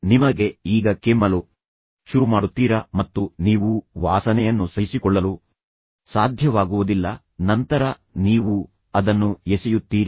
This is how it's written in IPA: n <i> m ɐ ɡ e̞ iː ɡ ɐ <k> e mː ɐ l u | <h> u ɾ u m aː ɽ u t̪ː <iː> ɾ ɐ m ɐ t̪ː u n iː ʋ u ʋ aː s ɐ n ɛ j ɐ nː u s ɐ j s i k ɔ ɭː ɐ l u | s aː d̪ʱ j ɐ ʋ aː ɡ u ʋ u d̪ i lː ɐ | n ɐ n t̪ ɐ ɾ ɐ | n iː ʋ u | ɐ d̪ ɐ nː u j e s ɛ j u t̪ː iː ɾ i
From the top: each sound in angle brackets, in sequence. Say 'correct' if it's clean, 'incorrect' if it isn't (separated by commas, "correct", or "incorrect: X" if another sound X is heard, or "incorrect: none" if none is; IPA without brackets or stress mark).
correct, correct, incorrect: ʃ, correct